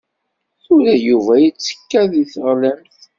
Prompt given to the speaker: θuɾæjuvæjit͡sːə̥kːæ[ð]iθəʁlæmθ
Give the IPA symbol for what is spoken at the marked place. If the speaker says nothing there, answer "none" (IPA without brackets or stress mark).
ð